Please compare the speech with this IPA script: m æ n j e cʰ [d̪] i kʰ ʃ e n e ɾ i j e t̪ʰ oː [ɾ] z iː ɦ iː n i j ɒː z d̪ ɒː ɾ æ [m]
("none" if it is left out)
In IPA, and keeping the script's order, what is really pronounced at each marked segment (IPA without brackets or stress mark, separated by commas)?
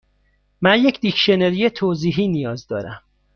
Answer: d̪, none, m